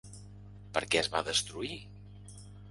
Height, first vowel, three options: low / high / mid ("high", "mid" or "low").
mid